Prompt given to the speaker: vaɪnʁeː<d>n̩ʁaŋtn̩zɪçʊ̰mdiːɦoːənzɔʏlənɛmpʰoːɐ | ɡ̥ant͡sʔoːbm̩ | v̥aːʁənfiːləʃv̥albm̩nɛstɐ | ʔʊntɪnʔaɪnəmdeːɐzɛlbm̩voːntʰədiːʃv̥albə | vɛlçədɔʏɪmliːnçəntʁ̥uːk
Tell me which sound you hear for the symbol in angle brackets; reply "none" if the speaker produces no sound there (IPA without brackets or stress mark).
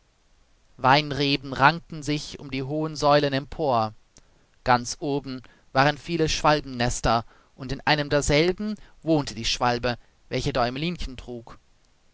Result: b